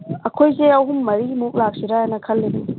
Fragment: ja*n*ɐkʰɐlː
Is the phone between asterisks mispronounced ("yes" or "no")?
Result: no